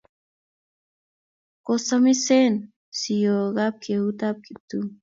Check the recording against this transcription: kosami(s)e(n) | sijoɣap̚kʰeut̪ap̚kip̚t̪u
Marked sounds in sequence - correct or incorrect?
correct, correct

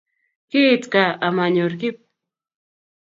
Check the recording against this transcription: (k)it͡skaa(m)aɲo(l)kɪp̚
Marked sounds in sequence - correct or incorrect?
correct, correct, incorrect: ɾ

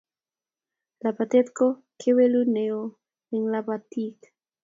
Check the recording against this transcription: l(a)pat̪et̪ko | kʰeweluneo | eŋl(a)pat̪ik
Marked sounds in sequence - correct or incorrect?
correct, correct

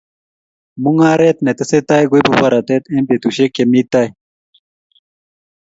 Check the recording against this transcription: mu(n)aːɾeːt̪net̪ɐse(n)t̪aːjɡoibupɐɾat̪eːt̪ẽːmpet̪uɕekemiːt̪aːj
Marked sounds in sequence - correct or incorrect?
incorrect: ŋ, incorrect: none

